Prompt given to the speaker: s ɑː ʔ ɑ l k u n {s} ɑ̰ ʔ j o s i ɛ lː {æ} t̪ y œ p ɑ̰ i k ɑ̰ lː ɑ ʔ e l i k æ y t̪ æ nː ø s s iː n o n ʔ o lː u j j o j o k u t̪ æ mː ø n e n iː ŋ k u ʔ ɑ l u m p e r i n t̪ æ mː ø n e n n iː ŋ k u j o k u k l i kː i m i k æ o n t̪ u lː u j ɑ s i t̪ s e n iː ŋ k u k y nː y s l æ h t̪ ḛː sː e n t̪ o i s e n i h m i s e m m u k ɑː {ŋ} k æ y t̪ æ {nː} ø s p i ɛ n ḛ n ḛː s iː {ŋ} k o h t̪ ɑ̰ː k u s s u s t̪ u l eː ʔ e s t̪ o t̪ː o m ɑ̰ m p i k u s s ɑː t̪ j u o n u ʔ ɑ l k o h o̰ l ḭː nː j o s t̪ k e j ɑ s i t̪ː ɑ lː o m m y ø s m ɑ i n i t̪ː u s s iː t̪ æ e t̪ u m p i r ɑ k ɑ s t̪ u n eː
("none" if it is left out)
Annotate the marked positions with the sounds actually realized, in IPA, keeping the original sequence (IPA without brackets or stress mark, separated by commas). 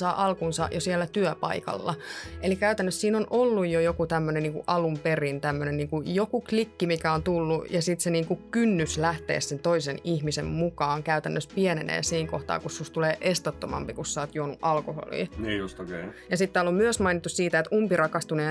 s, æ, ŋ, nː, ŋ